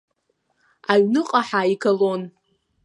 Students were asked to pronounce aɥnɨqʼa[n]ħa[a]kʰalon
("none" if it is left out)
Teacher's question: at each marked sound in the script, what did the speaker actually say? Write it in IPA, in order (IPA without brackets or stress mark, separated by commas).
none, i